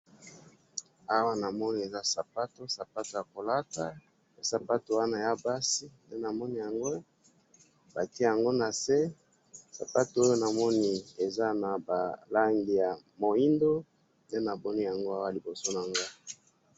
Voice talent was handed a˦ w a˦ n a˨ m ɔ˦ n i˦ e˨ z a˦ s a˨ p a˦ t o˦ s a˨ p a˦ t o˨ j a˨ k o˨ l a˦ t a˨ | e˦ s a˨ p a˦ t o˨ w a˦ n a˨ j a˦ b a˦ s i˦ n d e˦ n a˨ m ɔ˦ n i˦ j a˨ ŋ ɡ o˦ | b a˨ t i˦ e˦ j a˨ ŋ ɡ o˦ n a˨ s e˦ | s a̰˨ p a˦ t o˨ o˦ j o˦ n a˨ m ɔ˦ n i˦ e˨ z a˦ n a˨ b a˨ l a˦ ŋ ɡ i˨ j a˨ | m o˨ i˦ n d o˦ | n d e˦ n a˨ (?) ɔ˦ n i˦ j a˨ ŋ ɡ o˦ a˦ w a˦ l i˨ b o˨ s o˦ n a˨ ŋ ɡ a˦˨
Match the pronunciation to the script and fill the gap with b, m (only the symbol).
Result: b